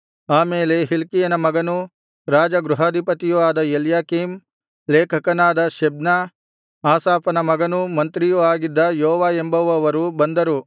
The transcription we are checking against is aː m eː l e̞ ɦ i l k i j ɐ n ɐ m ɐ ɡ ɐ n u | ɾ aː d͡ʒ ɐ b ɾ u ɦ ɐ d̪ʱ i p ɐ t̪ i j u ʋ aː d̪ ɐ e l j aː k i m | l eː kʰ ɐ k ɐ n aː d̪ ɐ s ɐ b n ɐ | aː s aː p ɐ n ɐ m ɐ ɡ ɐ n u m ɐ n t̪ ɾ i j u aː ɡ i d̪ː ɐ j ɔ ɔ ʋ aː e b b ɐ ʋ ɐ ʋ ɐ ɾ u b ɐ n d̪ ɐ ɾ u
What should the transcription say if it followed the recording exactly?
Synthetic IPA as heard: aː m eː l e̞ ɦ i l k i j ɐ n ɐ m ɐ ɡ ɐ n u | ɾ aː d͡ʒ ɐ ɡ ɾ u ɦ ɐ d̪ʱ i p ɐ t̪ i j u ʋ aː d̪ ɐ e l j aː k i m | l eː kʰ ɐ k ɐ n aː d̪ ɐ ʃ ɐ b n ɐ | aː s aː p ɐ n ɐ m ɐ ɡ ɐ n u m ɐ n t̪ ɾ i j u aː ɡ i d̪ː ɐ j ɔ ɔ ʋ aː e m b ɐ ʋ ɐ ʋ ɐ ɾ u b ɐ n d̪ ɐ ɾ u